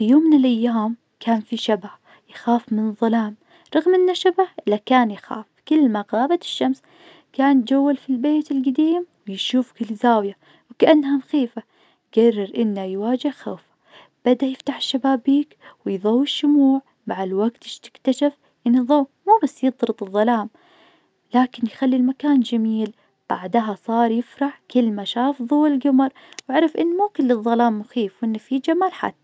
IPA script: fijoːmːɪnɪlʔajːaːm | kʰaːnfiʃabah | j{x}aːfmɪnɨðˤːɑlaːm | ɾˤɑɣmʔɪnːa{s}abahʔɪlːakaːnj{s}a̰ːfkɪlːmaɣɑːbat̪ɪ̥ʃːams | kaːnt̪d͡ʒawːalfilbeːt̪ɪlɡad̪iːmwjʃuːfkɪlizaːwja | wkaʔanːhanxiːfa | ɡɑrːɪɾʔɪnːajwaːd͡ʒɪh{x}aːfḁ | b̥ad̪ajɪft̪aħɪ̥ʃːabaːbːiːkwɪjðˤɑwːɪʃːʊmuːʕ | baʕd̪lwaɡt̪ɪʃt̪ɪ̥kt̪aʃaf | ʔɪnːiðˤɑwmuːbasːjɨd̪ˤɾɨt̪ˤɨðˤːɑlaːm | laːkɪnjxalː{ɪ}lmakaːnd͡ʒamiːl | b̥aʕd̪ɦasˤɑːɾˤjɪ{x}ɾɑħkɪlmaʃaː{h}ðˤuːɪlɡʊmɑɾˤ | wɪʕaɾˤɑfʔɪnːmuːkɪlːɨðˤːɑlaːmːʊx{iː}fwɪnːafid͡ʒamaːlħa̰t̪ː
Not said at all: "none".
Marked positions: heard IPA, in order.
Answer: x, ʃ, x, x, i, f, f, iː

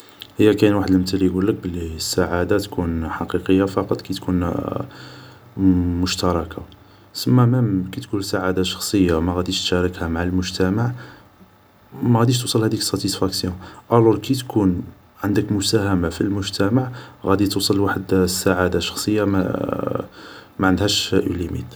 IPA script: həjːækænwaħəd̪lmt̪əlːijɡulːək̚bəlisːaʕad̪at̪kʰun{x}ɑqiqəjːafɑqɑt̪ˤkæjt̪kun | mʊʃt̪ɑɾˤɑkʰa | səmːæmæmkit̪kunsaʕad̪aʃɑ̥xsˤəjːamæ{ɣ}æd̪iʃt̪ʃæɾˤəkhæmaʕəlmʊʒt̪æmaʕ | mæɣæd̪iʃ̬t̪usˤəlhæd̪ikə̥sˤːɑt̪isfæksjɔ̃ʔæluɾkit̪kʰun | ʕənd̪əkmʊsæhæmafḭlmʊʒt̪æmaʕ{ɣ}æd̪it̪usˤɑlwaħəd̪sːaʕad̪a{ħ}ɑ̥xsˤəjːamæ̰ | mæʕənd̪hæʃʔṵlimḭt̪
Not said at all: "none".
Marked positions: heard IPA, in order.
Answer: ħ, ɣ, ɣ, ʃ

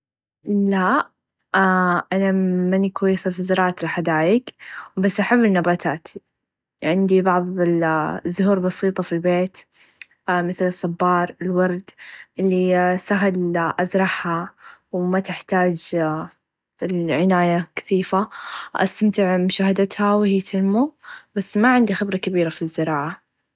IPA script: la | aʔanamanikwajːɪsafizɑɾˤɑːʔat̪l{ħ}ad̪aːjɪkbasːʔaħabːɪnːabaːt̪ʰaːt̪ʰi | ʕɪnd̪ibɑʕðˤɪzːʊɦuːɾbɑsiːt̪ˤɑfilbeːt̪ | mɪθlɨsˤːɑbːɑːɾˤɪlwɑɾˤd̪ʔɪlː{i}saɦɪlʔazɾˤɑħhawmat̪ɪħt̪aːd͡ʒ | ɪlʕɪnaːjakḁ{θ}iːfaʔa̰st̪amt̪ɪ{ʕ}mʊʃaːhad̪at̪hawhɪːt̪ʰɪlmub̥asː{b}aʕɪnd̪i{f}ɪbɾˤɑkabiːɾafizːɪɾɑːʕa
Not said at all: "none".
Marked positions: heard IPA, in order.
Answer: ħ, i, θ, ʕ, m, x

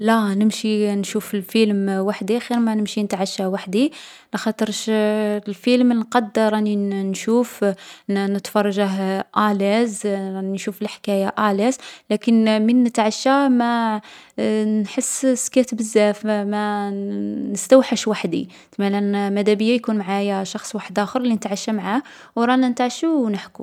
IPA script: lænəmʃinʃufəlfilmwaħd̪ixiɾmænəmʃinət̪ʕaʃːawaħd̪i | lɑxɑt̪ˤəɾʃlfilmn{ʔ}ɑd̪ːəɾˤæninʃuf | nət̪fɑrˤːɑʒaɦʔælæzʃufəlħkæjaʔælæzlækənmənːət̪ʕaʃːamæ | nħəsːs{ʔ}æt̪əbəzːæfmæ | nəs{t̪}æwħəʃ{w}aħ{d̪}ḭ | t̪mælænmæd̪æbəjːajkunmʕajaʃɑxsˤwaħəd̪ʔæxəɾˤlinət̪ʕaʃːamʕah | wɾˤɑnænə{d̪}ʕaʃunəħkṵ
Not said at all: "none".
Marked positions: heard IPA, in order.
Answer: q, k, t̪, w, d̪, t̪

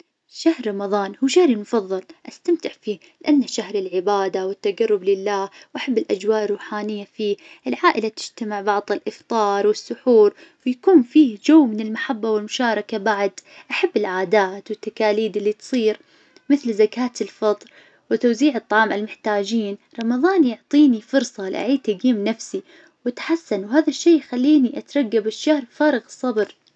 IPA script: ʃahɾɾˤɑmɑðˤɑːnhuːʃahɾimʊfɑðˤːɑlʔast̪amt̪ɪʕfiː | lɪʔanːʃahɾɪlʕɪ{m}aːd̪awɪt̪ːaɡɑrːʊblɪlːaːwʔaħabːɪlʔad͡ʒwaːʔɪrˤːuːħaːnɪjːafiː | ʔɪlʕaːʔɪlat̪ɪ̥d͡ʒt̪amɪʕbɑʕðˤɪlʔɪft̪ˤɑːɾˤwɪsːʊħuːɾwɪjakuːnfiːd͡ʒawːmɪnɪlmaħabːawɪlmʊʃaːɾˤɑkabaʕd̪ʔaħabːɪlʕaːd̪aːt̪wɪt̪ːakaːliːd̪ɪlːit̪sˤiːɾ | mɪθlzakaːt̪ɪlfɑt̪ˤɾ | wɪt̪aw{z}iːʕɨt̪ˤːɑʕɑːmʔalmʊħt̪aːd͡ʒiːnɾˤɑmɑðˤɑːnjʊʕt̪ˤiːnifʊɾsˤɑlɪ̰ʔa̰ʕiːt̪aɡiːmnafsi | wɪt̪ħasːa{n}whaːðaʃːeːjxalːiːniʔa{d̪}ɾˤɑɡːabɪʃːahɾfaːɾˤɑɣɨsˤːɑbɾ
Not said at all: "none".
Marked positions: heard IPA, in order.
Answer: b, z, n, t̪

